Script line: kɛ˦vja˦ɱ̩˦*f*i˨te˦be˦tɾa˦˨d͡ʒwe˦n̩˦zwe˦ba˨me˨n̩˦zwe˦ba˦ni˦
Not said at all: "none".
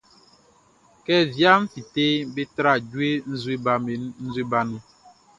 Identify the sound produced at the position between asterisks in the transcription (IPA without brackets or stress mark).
f